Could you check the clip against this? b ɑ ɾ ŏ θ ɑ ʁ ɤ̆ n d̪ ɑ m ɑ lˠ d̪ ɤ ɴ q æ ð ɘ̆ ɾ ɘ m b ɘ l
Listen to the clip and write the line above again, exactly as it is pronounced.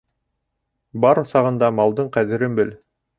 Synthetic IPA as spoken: b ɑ ɾ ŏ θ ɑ ʁ ɤ̆ n d̪ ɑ m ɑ lˠ d̪ ɤ ɴ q æ ð ɘ̆ ɾ ɘ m b ɘ l